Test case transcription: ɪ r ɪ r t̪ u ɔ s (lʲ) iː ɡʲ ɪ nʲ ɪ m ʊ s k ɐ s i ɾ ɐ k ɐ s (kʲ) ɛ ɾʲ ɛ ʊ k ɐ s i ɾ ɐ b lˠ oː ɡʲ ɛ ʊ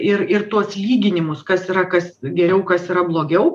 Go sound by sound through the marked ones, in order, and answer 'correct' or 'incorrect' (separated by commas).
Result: correct, incorrect